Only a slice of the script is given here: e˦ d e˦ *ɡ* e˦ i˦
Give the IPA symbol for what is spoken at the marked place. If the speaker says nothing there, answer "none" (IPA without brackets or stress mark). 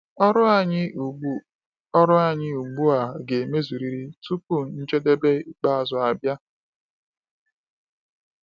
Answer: b